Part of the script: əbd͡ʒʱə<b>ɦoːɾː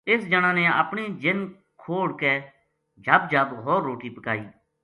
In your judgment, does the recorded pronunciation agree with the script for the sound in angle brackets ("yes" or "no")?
yes